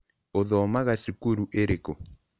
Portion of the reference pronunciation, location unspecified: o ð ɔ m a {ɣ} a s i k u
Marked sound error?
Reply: no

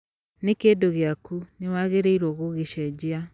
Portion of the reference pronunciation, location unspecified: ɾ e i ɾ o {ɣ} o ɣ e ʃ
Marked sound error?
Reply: no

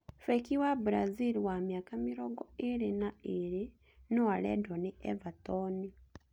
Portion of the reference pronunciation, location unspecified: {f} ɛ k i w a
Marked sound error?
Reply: no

